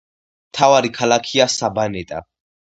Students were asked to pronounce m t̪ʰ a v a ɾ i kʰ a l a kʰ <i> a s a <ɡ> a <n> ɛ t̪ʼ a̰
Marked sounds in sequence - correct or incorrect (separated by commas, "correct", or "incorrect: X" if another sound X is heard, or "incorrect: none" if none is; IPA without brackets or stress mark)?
correct, incorrect: b, correct